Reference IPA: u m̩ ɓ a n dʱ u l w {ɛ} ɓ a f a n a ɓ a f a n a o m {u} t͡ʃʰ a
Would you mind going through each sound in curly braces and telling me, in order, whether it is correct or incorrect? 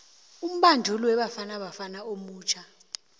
correct, incorrect: uː

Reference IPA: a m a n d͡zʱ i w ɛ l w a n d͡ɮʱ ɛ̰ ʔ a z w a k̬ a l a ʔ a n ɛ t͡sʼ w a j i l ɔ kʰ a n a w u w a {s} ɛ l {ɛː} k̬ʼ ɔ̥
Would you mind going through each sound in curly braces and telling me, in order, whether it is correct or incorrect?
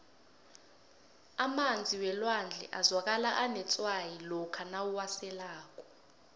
correct, incorrect: aː

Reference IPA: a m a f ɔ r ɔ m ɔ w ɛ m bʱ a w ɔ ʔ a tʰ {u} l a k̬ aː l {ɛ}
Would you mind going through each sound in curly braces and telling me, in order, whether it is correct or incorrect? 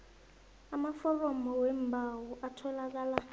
incorrect: ɔ, incorrect: a

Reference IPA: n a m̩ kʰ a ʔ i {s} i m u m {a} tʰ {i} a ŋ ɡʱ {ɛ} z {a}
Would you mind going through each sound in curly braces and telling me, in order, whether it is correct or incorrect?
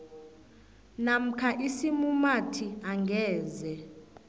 correct, correct, correct, incorrect: ɛː, incorrect: ɛ

